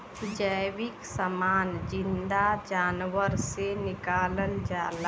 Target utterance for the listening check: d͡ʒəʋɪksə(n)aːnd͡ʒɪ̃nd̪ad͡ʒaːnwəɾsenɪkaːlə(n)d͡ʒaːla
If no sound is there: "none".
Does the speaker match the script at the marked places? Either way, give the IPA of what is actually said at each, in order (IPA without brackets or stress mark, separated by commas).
m, n